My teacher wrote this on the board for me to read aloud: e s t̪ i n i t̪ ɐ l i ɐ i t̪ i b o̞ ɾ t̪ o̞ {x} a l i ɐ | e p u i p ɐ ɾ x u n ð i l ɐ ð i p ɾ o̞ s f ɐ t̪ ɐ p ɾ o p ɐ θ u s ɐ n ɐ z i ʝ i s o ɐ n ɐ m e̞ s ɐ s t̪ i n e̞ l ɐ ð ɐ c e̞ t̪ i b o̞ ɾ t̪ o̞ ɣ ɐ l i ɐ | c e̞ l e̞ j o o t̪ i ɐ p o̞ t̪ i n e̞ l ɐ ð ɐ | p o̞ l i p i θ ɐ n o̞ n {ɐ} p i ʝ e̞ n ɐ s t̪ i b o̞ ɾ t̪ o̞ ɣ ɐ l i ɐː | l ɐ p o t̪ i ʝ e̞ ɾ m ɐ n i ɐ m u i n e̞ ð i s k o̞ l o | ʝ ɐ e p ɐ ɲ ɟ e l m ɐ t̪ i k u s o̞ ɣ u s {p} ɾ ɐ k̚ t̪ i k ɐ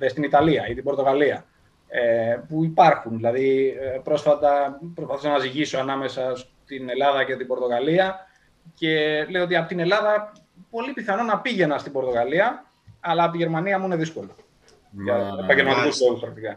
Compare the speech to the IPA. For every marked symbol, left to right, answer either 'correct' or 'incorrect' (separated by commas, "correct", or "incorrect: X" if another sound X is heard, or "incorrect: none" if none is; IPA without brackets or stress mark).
incorrect: ɣ, correct, correct